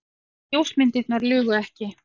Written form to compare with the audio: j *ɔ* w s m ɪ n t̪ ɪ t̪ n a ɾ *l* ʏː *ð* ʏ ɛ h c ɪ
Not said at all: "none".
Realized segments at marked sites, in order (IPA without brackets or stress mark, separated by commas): o, l, ɣ